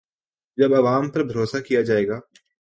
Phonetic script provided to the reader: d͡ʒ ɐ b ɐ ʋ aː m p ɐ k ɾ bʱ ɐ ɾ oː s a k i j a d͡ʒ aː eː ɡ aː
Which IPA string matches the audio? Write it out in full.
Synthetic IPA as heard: d͡ʒ ɐ b ɐ ʋ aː m p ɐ ɾ bʱ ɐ ɾ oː s a k i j a d͡ʒ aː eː ɡ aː

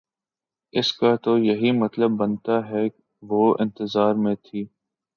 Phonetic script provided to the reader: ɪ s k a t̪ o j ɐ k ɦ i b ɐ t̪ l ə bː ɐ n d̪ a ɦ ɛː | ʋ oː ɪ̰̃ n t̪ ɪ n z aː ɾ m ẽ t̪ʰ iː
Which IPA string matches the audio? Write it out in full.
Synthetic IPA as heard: ɪ s k a t̪ o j ɐ ɦ i m ɐ t̪ l ə bː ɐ n t̪ a ɦ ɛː | ʋ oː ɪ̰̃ n t̪ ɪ z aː ɾ m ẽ t̪ʰ iː

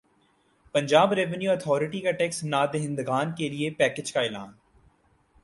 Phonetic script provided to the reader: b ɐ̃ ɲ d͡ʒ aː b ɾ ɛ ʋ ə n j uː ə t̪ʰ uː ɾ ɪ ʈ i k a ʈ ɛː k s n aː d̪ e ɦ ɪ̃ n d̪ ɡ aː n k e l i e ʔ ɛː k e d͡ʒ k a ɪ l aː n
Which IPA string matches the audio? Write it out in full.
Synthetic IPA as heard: p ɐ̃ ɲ d͡ʒ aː b ɾ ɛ ʋ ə n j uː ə t̪ʰ ɔː ɾ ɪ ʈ i k a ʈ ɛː k s n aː d̪ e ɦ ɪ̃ n d̪ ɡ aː n k e l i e p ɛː k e d͡ʒ k a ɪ l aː n

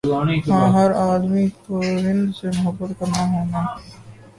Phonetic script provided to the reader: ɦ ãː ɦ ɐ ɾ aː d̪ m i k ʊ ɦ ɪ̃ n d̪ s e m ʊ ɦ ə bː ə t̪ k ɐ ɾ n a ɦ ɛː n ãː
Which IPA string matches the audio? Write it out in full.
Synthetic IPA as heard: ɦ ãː ɦ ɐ ɾ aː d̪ m i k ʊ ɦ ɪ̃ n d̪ s e m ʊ ɦ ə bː ə t̪ k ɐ ɾ n a ɦ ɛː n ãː

